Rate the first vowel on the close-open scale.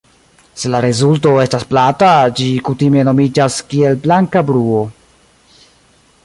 mid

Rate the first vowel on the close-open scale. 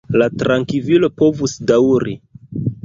open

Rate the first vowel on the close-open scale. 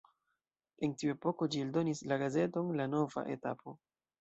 mid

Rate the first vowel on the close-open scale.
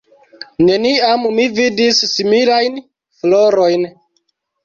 mid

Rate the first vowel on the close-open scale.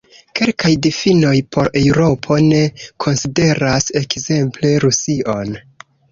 mid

